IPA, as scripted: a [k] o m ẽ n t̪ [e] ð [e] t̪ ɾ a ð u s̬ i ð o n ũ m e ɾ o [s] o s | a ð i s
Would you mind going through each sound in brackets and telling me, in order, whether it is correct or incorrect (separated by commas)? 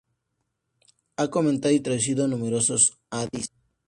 correct, incorrect, incorrect, correct